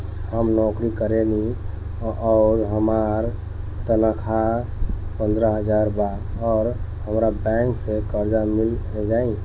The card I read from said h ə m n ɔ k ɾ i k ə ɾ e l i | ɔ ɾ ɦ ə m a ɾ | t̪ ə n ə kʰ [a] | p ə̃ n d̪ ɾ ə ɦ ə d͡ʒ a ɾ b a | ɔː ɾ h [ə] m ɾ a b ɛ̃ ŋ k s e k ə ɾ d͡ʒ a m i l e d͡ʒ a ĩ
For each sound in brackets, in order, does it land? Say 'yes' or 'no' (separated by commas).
yes, yes